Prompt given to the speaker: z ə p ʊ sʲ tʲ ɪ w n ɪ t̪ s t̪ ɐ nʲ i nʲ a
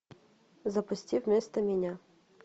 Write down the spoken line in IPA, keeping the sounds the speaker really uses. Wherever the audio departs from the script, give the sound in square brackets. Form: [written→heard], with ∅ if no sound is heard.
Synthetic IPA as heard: z [ə→ɐ] p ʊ sʲ tʲ [ɪ→i] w [n→m] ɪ [t̪→∅] s t̪ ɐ [nʲ→mʲ] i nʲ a